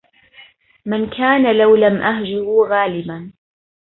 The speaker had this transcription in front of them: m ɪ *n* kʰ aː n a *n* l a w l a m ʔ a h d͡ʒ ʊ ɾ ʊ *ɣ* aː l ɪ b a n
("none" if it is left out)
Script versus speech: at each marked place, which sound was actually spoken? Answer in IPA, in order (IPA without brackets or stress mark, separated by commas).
n, none, ɣ